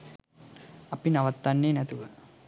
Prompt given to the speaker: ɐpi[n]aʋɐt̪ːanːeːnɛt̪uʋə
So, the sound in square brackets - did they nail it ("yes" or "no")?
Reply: yes